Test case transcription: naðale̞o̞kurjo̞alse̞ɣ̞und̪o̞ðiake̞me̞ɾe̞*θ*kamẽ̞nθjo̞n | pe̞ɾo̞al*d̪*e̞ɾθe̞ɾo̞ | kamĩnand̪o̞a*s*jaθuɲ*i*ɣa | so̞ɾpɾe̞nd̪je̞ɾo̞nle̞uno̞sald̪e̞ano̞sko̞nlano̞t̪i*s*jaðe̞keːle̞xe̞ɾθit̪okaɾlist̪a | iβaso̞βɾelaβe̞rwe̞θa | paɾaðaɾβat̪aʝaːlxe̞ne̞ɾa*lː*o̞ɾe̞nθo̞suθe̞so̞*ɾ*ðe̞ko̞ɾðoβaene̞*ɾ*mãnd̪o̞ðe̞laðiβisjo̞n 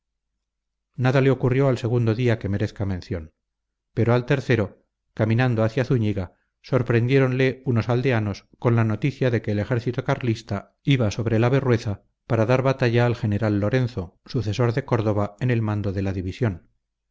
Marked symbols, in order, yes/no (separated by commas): yes, no, no, yes, no, yes, yes, no